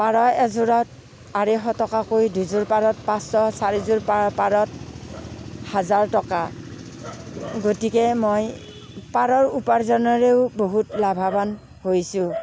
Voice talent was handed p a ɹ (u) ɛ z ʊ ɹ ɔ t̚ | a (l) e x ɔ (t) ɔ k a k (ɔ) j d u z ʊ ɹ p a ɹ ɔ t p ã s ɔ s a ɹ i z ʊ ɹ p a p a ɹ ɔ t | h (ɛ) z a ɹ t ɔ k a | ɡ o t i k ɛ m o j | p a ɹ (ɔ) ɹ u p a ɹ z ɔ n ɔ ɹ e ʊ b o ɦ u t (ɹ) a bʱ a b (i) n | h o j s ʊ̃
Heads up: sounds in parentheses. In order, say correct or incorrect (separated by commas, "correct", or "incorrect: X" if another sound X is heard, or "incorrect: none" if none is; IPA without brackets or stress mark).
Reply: incorrect: ɔ, incorrect: ɹ, correct, incorrect: o, incorrect: a, correct, incorrect: l, incorrect: a